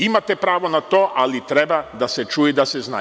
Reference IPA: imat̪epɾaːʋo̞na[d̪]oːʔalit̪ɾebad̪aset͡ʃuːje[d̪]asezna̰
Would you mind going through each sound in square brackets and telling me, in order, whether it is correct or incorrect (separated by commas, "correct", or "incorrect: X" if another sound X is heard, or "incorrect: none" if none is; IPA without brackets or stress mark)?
incorrect: t̪, correct